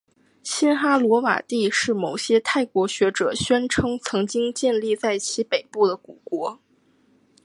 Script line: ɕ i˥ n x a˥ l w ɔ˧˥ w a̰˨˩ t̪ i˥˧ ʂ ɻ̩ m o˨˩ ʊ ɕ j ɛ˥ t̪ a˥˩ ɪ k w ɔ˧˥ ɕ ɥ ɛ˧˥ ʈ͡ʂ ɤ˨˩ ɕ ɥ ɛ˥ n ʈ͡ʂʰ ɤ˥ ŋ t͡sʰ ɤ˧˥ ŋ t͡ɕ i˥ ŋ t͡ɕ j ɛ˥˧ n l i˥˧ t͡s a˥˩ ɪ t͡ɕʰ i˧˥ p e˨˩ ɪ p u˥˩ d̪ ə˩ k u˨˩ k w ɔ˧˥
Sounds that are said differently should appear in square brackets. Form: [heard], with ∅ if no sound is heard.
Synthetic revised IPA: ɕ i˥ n x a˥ l w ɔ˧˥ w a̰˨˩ t̪ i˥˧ ʂ ɻ̩ m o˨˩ ʊ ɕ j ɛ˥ [t̪ʰ] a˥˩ ɪ k w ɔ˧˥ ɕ ɥ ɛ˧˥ ʈ͡ʂ ɤ˨˩ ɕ ɥ ɛ˥ n ʈ͡ʂʰ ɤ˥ ŋ t͡sʰ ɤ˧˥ ŋ t͡ɕ i˥ ŋ t͡ɕ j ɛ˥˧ n l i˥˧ t͡s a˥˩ ɪ t͡ɕʰ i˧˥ p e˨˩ ɪ p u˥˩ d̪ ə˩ k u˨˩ k w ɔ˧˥